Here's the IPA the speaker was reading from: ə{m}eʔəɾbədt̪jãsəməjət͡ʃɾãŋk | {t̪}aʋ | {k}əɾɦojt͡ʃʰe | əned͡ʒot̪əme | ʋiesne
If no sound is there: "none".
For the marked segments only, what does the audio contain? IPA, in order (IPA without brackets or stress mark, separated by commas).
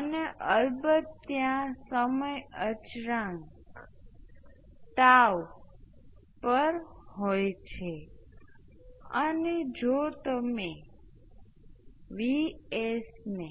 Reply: n, t̪, p